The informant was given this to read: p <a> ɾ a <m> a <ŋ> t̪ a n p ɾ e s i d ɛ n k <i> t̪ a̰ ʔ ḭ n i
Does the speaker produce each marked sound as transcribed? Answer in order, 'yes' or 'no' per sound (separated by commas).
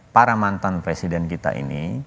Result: yes, yes, no, yes